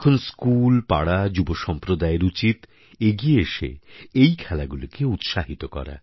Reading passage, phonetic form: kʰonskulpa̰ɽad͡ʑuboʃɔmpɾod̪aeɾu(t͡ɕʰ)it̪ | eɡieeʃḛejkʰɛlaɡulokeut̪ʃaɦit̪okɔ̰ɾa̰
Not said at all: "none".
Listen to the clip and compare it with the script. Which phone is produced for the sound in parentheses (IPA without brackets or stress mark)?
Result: t͡ɕ